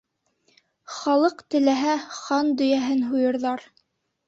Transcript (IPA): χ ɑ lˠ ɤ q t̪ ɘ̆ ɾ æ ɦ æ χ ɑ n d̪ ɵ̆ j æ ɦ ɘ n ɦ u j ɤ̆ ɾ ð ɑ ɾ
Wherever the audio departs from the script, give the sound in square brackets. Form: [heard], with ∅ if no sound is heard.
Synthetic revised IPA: χ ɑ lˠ ɤ q t̪ ɘ̆ [l] æ ɦ æ χ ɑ n d̪ ɵ̆ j æ ɦ ɘ n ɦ u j ɤ̆ ɾ ð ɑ ɾ